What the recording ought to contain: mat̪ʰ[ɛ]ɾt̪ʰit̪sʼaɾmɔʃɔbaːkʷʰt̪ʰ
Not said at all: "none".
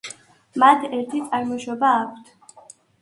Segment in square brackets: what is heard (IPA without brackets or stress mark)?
ɛ